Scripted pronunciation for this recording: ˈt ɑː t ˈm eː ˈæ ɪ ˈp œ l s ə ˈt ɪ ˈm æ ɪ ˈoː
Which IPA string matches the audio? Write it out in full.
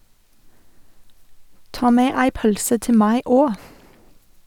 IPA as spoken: ˈt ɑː ˈm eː ˈæ ɪ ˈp œ l s ə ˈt ɪ ˈm æ ɪ ˈoː